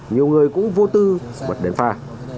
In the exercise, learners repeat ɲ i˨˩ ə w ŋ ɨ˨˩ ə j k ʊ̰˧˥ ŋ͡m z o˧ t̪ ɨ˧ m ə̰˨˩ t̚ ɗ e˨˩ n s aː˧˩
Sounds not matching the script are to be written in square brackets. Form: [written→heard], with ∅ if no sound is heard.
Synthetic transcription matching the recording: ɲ i˨˩ ə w ŋ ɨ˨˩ ə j k ʊ̰˧˥ ŋ͡m [z→v] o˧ t̪ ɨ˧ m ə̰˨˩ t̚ ɗ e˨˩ n [s→f] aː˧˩